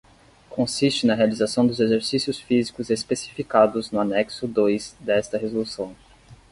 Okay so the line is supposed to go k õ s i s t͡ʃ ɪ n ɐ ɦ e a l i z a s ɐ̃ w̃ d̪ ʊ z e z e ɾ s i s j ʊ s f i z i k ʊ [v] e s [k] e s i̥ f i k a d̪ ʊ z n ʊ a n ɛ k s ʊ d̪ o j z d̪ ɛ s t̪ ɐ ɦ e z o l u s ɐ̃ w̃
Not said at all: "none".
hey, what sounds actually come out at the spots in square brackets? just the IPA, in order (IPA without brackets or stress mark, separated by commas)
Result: z, p